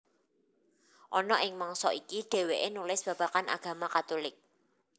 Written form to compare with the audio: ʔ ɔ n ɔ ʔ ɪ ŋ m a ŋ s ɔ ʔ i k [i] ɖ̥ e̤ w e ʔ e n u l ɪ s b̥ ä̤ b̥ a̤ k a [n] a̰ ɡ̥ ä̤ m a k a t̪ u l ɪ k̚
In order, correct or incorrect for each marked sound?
correct, correct

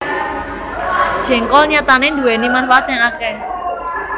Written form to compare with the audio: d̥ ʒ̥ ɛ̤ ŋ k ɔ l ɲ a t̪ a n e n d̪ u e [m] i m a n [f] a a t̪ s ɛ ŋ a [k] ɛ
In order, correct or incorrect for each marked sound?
incorrect, correct, correct

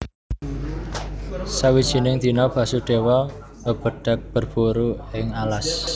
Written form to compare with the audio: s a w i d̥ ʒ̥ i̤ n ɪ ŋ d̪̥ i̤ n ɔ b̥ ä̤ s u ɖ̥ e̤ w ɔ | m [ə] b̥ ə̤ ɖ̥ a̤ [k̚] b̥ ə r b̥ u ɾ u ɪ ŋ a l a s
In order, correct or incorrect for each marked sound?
correct, correct

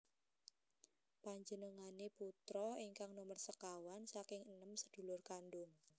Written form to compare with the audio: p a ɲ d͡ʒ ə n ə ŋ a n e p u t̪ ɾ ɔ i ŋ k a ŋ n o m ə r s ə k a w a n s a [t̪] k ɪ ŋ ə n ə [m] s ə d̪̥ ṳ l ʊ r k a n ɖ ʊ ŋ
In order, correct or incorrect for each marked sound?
incorrect, correct

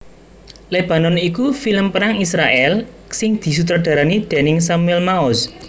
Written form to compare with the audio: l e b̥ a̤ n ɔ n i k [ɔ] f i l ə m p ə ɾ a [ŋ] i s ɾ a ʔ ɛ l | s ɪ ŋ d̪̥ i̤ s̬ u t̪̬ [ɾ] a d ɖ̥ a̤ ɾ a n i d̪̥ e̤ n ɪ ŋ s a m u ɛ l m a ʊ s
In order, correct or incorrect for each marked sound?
incorrect, correct, correct

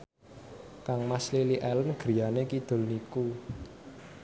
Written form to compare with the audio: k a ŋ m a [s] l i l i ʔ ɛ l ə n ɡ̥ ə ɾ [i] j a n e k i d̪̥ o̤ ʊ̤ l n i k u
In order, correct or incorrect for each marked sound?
correct, correct

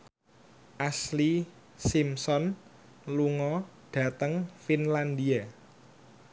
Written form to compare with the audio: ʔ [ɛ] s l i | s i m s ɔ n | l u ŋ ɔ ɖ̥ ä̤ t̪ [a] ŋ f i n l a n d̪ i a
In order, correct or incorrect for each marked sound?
incorrect, incorrect

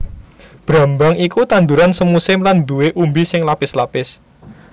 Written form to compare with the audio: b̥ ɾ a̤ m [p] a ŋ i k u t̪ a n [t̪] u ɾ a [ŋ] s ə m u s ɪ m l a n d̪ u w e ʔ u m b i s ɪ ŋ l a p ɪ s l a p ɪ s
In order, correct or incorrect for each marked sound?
incorrect, incorrect, incorrect

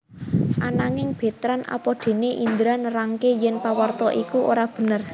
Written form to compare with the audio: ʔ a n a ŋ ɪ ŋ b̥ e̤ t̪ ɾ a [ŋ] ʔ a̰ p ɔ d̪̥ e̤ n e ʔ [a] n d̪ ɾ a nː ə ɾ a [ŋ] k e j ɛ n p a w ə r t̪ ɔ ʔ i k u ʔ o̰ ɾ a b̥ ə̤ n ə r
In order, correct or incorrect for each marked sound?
incorrect, incorrect, correct

